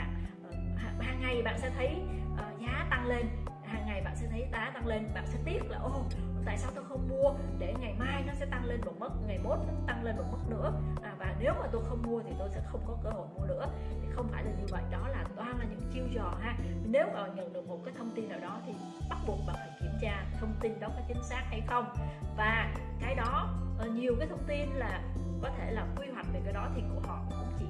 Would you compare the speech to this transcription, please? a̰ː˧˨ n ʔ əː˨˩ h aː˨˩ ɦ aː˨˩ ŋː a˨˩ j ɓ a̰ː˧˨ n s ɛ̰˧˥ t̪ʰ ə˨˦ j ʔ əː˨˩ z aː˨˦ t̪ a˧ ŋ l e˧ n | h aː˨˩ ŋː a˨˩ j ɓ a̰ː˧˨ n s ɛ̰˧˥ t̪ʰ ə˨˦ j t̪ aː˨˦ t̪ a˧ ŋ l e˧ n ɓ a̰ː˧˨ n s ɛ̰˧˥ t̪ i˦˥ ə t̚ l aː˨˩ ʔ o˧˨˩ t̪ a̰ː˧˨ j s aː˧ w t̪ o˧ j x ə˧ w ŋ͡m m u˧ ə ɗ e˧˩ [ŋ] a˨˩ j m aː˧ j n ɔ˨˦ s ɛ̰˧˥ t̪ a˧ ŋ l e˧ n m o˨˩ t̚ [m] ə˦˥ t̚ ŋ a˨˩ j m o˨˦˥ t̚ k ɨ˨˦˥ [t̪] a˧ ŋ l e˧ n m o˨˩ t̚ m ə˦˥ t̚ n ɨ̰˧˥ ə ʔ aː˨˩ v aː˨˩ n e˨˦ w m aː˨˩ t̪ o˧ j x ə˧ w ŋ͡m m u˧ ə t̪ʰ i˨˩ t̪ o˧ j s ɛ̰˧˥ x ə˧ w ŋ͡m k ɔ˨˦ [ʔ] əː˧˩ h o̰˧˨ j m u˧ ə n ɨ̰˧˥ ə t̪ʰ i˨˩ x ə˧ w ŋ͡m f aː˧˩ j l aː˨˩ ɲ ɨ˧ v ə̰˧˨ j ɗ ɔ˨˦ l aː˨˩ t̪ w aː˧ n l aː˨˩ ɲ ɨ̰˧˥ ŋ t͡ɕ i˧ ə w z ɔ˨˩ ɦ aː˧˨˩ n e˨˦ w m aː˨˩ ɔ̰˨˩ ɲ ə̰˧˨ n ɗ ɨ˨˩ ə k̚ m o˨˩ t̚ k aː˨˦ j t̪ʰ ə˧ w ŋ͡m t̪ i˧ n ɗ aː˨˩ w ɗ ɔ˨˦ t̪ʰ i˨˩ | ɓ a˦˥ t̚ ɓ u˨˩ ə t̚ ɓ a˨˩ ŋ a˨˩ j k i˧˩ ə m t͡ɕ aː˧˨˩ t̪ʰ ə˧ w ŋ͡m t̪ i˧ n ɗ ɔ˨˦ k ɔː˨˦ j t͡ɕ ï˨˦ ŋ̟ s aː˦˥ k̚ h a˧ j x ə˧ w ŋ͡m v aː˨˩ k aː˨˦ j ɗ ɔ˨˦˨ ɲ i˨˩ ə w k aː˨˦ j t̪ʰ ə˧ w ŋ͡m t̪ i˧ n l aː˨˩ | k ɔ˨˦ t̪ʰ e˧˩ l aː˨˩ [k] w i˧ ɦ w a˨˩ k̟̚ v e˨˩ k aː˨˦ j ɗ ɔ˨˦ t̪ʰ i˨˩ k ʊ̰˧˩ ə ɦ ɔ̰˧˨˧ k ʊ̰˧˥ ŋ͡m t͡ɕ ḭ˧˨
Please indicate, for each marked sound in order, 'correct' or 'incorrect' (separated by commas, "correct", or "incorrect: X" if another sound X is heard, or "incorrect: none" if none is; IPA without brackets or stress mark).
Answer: correct, correct, correct, incorrect: k, correct